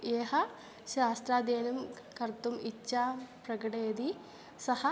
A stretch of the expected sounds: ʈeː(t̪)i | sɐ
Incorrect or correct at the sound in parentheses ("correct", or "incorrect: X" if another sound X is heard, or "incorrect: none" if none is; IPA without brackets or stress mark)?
incorrect: d̪